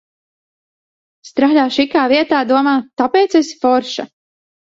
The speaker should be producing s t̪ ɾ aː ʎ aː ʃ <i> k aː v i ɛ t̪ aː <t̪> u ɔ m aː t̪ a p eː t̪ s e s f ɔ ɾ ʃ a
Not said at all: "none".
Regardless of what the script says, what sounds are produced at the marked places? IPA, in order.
i, d̪

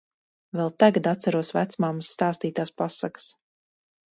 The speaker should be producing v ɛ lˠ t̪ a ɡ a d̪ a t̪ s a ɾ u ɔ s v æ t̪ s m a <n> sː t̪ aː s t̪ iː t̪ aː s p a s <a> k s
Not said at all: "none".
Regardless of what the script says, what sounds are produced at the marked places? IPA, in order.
m, a

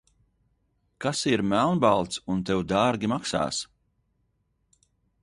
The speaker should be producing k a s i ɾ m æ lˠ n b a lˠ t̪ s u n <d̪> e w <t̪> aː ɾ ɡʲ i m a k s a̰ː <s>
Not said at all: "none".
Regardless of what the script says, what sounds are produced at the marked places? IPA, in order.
t̪, d̪, s

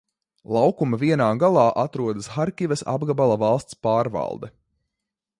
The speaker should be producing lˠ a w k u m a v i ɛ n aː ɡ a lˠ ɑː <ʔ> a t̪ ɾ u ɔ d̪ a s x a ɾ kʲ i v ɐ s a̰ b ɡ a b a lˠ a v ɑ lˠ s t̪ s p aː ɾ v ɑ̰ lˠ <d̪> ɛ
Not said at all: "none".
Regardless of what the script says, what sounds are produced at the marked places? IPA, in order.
ʔ, d̪

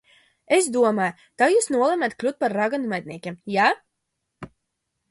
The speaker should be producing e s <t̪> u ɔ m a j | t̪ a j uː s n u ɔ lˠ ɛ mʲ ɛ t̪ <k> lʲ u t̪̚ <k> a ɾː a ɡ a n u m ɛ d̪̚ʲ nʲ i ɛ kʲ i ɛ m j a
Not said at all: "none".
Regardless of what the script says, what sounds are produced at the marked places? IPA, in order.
d̪, k, p

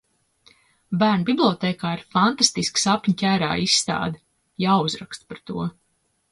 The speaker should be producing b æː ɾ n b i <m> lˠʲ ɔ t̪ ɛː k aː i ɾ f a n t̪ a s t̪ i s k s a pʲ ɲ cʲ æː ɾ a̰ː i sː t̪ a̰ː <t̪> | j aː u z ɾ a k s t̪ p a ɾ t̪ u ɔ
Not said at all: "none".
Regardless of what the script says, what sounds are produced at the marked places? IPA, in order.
b, d̪

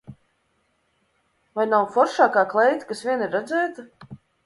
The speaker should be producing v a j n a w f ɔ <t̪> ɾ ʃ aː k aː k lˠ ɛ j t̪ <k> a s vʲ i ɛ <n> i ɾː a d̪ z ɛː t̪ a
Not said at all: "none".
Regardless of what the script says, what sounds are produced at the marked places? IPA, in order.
none, k, n

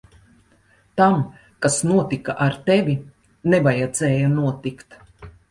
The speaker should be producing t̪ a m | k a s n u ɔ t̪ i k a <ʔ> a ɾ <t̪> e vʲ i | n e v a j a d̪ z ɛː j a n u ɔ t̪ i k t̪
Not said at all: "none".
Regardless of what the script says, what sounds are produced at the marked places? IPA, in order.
ʔ, t̪

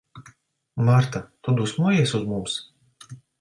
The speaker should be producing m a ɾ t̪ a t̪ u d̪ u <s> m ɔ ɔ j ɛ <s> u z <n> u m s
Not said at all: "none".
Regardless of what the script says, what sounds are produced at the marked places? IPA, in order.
s, s, m

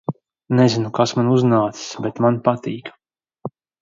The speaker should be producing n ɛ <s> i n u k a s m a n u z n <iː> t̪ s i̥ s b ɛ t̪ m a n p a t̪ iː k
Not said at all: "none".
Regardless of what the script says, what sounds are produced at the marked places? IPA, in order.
z, aː

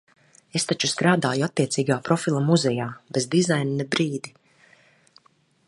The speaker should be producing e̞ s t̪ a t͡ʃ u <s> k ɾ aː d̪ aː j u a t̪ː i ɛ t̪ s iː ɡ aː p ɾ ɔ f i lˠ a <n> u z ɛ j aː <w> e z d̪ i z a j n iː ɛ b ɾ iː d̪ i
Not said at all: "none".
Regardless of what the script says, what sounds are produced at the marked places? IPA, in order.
s, m, b

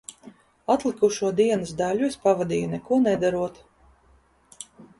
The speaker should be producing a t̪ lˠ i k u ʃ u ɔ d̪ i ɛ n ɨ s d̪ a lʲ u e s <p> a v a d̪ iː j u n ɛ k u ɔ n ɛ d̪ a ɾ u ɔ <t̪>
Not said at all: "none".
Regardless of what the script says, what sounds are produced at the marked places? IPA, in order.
p, t̪

